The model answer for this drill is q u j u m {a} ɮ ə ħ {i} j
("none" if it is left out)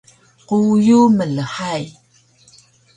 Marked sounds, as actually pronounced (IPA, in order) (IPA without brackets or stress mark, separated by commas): ə, a